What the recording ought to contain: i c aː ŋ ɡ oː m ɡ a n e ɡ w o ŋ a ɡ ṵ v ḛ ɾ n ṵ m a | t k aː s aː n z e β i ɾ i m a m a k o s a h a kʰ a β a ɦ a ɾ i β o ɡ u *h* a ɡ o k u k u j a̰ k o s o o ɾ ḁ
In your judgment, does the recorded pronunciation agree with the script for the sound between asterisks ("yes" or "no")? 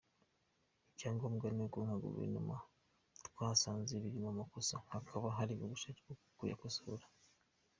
no